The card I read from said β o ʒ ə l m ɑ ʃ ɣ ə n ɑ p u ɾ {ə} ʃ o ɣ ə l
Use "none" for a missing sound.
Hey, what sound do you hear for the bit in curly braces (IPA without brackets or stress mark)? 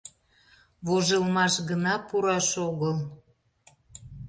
ɑ